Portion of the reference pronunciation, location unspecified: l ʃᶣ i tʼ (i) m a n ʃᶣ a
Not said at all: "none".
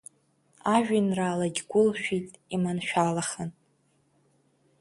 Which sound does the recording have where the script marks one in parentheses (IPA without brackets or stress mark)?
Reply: i